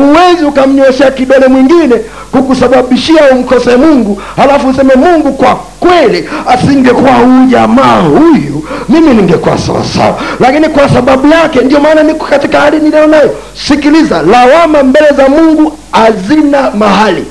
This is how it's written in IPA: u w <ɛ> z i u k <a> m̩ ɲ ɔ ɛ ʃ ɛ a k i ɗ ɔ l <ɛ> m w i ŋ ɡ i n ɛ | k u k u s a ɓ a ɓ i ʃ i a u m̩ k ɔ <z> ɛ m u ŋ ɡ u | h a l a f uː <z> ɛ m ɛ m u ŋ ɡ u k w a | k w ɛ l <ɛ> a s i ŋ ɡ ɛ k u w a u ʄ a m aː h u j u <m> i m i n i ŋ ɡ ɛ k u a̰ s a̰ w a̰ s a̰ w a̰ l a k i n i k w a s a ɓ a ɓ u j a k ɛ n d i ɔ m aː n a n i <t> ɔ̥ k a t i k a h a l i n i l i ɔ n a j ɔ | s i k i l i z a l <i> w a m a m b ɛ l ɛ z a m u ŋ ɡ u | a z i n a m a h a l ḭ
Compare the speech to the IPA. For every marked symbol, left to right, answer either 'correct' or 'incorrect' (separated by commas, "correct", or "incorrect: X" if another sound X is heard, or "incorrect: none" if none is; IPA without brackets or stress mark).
correct, correct, correct, incorrect: s, incorrect: s, incorrect: i, correct, incorrect: k, incorrect: a